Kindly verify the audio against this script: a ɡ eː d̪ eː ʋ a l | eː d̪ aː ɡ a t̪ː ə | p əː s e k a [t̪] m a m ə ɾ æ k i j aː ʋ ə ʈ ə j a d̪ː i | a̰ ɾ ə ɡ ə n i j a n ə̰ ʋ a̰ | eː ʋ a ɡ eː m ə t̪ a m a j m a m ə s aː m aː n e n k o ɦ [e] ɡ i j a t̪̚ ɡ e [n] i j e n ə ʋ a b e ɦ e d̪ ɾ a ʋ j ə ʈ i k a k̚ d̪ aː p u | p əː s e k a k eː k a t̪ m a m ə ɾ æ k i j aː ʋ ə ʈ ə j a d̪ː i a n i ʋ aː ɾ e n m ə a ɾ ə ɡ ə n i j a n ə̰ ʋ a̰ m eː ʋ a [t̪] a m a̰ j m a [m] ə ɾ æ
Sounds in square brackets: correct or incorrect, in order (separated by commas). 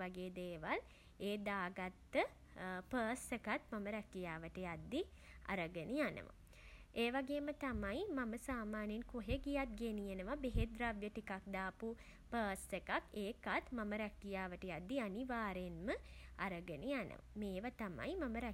correct, correct, correct, correct, correct